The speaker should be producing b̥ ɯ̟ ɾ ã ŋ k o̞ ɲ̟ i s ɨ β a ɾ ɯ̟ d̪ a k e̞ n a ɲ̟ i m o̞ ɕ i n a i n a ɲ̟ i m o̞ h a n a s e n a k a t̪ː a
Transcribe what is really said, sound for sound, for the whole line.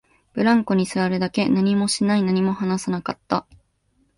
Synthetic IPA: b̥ ɯ̟ ɾ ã ŋ k o̞ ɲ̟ i s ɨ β a ɾ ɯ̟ d̪ a k e̞ n a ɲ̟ i m o̞ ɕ i n a i n a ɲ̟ i m o̞ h a n a s a n a k a t̪ː a